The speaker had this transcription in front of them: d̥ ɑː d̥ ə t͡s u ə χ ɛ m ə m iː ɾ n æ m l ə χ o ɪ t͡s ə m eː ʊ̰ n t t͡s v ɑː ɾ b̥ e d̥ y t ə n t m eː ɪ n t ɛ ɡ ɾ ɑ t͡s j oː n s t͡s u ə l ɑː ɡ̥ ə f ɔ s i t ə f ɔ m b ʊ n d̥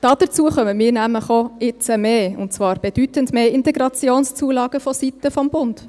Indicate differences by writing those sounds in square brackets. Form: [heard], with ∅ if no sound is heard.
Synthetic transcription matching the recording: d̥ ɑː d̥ ə t͡s u ə χ [œ] m ə m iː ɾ n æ m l ə χ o ɪ t͡s ə m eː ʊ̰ n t t͡s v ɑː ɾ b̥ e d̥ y t ə n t m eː ɪ n t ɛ ɡ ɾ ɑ t͡s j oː n s t͡s u ə l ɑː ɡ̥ ə f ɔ s i t ə f ɔ m b ʊ n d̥